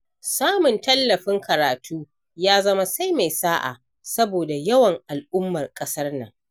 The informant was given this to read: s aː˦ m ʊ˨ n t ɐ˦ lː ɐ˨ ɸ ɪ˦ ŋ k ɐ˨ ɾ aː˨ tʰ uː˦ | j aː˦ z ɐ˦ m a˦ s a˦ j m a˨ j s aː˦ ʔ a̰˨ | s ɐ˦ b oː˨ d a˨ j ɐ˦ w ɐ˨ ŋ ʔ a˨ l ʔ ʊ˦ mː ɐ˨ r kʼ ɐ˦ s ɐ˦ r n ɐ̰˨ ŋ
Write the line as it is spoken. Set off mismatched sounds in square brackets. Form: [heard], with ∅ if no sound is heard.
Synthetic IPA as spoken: s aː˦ m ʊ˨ n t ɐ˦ lː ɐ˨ ɸ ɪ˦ ŋ k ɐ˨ ɾ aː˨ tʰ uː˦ | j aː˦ z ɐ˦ m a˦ s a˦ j m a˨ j s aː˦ ʔ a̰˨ | s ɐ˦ b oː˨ d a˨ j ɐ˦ w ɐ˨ ŋ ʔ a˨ l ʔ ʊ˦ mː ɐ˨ r kʼ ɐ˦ s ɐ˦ r n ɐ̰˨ ŋ